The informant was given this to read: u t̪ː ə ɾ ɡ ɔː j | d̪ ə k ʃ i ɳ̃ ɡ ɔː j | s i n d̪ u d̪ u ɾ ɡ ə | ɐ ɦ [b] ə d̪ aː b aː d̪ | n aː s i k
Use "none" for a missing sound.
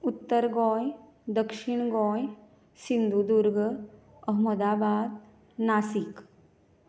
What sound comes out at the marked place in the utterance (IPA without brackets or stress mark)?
m